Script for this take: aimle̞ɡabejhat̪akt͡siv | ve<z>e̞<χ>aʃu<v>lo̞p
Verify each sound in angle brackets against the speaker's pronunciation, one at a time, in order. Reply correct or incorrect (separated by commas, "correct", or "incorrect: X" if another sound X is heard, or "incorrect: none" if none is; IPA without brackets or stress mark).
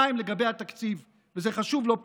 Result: correct, correct, correct